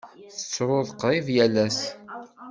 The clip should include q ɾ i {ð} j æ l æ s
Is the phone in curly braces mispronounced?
yes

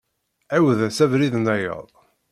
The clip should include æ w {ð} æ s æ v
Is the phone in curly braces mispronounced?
no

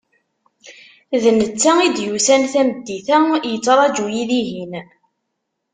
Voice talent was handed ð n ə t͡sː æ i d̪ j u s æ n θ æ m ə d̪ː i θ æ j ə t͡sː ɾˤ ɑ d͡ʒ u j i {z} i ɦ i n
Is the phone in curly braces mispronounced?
yes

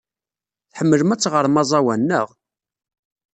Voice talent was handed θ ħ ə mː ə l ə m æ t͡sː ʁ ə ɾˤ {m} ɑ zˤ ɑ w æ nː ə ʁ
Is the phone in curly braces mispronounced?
no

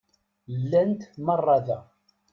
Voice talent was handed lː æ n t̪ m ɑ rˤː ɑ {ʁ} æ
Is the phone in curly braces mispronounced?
yes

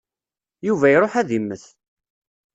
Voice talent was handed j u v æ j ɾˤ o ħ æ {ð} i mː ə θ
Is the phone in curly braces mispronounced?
no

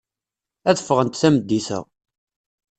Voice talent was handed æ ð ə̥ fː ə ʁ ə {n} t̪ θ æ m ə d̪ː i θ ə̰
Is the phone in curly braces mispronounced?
no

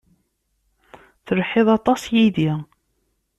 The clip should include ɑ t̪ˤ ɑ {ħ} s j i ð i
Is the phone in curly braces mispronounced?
yes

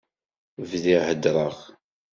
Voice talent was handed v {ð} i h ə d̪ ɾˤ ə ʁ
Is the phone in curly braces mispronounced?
no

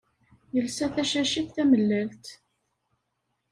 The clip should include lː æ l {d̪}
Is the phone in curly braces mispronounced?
yes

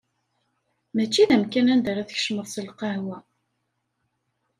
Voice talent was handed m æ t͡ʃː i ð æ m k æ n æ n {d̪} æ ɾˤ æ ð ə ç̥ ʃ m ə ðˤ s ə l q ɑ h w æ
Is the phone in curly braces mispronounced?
no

